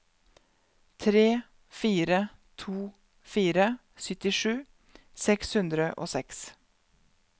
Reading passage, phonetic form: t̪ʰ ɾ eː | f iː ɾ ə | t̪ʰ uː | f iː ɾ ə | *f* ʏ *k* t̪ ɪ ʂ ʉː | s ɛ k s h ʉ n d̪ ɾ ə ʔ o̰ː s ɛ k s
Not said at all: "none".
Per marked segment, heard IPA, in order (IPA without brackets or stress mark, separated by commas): s, none